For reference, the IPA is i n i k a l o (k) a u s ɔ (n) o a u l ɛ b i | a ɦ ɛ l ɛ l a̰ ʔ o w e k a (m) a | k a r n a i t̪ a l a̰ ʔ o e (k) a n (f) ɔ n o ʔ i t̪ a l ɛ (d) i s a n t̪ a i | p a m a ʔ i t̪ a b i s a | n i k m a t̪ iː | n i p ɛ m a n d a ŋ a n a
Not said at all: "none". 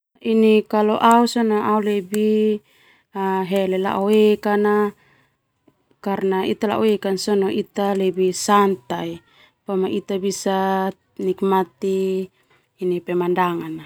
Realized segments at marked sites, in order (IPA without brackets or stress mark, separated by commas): ʔ, n, n, k, s, b